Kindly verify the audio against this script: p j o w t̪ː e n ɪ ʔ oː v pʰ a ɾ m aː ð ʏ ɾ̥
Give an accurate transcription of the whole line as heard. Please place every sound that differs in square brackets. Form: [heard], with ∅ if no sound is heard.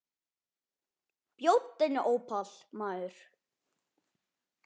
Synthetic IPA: p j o w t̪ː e n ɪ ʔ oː [w] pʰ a [l] m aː ð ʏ ɾ̥